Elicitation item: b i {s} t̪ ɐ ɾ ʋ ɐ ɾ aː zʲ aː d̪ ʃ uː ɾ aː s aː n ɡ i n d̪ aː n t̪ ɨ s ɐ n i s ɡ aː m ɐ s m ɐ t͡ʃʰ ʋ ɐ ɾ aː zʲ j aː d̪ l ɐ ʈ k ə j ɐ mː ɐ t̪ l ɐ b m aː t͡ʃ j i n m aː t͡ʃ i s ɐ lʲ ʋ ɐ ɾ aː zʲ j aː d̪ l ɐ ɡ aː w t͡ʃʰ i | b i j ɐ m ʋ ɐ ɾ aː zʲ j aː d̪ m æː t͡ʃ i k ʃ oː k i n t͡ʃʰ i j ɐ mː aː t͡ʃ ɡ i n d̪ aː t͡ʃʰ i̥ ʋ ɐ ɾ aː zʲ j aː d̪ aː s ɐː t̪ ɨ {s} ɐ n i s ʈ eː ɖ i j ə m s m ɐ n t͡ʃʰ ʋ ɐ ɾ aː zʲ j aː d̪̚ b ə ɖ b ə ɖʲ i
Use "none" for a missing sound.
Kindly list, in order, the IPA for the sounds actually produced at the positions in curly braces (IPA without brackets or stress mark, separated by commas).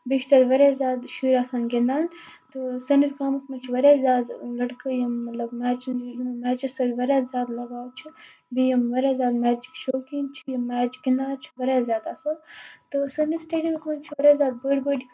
ʃ, s